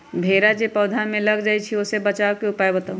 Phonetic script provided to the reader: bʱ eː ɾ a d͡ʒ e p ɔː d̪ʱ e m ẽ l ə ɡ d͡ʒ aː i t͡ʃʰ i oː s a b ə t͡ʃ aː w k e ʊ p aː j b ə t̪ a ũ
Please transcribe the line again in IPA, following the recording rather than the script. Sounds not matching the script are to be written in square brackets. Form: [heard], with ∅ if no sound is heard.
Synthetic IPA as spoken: bʱ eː ɾ a d͡ʒ e p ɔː d̪ʱ [a] m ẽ l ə ɡ d͡ʒ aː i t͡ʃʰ i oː s [e] b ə t͡ʃ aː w k e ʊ p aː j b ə t̪ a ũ